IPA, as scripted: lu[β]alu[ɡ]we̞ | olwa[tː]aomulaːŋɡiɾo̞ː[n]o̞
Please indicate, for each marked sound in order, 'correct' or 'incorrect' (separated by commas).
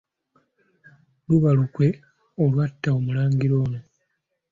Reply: correct, incorrect, correct, correct